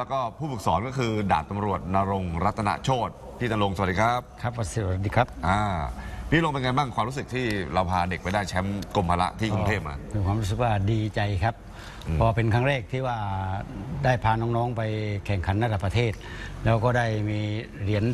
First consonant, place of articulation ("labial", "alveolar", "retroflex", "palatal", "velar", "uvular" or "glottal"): alveolar